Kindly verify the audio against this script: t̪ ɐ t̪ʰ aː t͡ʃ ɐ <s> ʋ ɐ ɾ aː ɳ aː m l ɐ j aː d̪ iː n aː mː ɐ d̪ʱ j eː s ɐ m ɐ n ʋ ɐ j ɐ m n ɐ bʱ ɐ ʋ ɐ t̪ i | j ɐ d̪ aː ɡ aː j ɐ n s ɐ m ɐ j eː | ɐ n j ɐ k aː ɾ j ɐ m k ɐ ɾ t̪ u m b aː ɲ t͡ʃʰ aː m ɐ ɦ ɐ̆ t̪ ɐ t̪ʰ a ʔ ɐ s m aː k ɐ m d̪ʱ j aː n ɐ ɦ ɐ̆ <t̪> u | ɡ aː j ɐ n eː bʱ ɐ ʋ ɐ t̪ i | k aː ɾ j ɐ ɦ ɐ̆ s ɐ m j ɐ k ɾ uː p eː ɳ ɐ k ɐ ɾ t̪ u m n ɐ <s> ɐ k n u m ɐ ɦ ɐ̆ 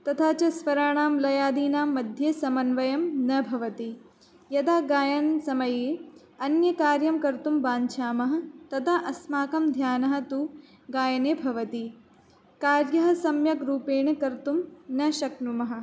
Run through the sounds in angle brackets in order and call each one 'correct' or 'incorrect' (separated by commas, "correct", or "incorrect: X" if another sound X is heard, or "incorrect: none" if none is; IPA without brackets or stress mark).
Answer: correct, correct, incorrect: ʃ